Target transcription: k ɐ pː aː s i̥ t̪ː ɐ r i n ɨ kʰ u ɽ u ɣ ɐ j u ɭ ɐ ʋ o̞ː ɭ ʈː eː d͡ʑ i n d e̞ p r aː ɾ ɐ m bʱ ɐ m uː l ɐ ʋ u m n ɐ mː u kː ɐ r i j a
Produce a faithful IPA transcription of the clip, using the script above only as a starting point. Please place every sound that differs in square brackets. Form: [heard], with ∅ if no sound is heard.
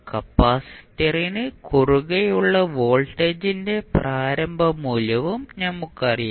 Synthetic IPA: k ɐ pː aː s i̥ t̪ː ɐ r i n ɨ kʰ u [r] u ɣ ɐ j u [ɭː] ɐ ʋ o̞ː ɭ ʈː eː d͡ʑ i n d e̞ p r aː ɾ ɐ m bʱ ɐ m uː l ɐ ʋ u m n ɐ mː u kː ɐ r i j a